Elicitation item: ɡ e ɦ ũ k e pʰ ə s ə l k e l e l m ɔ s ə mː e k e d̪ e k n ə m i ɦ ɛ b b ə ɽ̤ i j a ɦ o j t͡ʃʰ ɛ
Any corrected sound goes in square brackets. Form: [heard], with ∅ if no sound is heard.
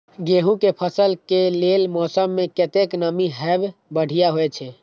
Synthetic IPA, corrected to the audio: ɡ e ɦ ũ k e pʰ ə s ə l k e l e l m ɔ s ə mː e k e [t̪] e k n ə m i ɦ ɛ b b ə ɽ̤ i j a ɦ o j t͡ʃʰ ɛ